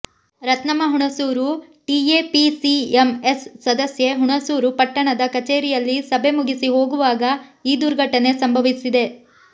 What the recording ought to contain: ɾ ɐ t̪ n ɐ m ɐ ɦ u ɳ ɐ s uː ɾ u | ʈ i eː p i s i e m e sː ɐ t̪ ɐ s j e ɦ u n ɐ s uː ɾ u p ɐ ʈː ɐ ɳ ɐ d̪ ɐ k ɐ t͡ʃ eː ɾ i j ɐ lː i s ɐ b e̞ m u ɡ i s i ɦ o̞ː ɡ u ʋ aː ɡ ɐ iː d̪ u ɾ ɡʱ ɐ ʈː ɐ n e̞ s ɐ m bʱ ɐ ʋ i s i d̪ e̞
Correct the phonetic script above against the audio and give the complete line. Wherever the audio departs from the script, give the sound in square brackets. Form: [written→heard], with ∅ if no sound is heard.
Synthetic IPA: ɾ ɐ t̪ n ɐ m ɐ ɦ u ɳ ɐ s uː ɾ u | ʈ i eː p i s i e m e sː ɐ [t̪→d̪] ɐ s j e ɦ u [n→ɳ] ɐ s uː ɾ u p ɐ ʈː ɐ ɳ ɐ d̪ ɐ k ɐ t͡ʃ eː ɾ i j ɐ lː i s ɐ b e̞ m u ɡ i s i ɦ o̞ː ɡ u ʋ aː ɡ ɐ iː d̪ u ɾ ɡʱ ɐ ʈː ɐ n e̞ s ɐ m bʱ ɐ ʋ i s i d̪ e̞

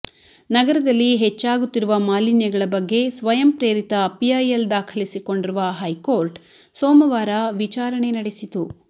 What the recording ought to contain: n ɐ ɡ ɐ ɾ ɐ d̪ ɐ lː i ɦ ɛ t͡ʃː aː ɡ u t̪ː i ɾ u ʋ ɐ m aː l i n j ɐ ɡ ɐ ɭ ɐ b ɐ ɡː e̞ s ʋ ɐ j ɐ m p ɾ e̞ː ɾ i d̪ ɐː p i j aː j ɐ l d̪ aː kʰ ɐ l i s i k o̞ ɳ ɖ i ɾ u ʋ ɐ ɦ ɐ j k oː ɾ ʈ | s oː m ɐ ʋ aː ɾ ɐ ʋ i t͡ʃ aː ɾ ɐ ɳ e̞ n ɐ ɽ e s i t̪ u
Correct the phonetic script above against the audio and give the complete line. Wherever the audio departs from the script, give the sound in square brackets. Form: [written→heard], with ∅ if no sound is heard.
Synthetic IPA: n ɐ ɡ ɐ ɾ ɐ d̪ ɐ lː i ɦ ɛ t͡ʃː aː ɡ u t̪ː i ɾ u ʋ ɐ m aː l i n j ɐ ɡ ɐ ɭ ɐ b ɐ ɡː e̞ s ʋ ɐ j ɐ m p ɾ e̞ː ɾ i [d̪→t̪] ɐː p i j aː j ɐ l d̪ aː kʰ ɐ l i s i k o̞ ɳ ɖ i ɾ u ʋ ɐ ɦ ɐ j k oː ɾ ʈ | s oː m ɐ ʋ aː ɾ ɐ ʋ i t͡ʃ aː ɾ ɐ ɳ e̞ n ɐ ɽ e s i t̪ u

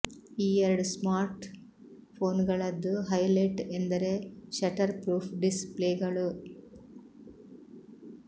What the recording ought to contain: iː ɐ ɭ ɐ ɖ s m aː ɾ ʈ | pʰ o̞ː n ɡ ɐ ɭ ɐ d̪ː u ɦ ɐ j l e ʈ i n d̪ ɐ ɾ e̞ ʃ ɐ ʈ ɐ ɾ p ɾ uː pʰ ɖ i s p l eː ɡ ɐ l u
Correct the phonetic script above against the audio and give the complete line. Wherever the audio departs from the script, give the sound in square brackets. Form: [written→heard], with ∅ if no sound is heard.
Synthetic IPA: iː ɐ [ɭ→ɾ] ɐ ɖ s m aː ɾ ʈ | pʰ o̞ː n ɡ ɐ ɭ ɐ d̪ː u ɦ ɐ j l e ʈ [i→e] n d̪ ɐ ɾ e̞ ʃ ɐ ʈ ɐ ɾ p ɾ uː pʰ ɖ i s p l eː ɡ ɐ [l→ɭ] u

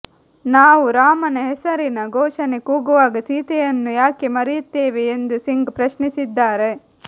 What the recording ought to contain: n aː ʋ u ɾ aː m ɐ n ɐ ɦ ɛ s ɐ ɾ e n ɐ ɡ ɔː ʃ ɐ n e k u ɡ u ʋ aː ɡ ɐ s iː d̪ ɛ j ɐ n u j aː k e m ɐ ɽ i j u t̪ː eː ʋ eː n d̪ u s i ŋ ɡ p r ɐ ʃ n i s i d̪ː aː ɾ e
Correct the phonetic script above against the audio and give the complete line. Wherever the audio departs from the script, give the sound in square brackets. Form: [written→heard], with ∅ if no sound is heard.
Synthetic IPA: n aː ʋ u ɾ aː m ɐ n ɐ ɦ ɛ s ɐ ɾ [e→i] n ɐ ɡ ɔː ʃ ɐ n e k [u→uː] ɡ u ʋ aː ɡ ɐ s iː [d̪→t̪] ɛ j ɐ [n→nː] u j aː k e m ɐ [ɽ→ɾ] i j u t̪ː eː ʋ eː n d̪ u s i ŋ ɡ p [r→ɾ] ɐ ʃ n i s i d̪ː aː ɾ e

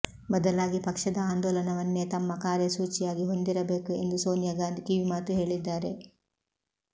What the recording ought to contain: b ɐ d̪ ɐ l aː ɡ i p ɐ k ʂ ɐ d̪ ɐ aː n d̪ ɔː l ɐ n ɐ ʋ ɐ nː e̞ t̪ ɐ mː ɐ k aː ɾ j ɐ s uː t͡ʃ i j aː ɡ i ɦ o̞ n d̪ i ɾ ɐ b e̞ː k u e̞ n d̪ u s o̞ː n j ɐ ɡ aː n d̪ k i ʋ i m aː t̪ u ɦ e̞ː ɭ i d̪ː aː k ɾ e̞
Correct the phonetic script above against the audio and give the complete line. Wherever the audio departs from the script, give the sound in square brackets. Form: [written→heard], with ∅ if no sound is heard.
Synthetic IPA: b ɐ d̪ ɐ l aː ɡ i p ɐ k ʂ ɐ d̪ ɐ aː n d̪ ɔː l ɐ n ɐ ʋ ɐ nː e̞ t̪ ɐ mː ɐ k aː ɾ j ɐ s uː t͡ʃ i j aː ɡ i ɦ o̞ n d̪ i ɾ ɐ b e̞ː k u e̞ n d̪ u s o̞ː n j ɐ ɡ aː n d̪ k i ʋ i m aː t̪ u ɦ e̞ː ɭ i d̪ː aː [k→∅] ɾ e̞

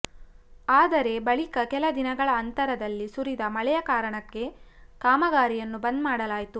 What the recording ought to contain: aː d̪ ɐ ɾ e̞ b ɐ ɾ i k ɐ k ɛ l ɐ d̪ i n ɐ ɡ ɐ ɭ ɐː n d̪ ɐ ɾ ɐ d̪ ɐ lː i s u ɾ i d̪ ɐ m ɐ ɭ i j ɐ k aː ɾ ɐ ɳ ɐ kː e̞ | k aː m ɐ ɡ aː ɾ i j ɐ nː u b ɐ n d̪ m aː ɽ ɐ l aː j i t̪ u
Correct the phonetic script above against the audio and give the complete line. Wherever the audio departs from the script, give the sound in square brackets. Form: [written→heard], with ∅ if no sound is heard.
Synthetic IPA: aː d̪ ɐ ɾ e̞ b ɐ [ɾ→ɭ] i k ɐ k ɛ l ɐ d̪ i n ɐ ɡ ɐ ɭ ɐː n [d̪→t̪] ɐ ɾ ɐ d̪ ɐ lː i s u ɾ i d̪ ɐ m ɐ ɭ [i→ɛ] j ɐ k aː ɾ ɐ ɳ ɐ kː e̞ | k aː m ɐ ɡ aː ɾ i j ɐ nː u b ɐ n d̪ m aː ɽ ɐ l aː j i t̪ u

